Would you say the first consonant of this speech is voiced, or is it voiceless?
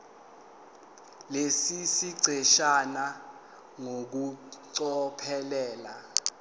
voiced